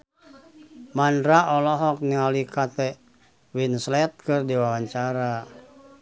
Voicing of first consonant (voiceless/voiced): voiced